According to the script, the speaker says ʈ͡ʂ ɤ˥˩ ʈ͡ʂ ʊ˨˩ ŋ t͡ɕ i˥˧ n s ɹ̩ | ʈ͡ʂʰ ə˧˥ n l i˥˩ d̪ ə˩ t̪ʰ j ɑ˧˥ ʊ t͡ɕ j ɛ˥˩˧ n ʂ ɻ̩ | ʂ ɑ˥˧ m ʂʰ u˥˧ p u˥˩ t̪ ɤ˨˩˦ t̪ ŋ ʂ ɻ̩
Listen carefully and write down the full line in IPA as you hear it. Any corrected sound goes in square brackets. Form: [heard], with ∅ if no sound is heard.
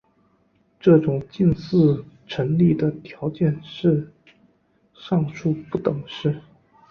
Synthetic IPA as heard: ʈ͡ʂ ɤ˥˩ ʈ͡ʂ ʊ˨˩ ŋ t͡ɕ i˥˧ n s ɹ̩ | ʈ͡ʂʰ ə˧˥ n l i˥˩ d̪ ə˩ t̪ʰ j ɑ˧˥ ʊ t͡ɕ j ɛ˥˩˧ n ʂ ɻ̩ | ʂ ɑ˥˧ [ŋ] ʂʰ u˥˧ p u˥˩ t̪ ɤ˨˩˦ [∅] ŋ ʂ ɻ̩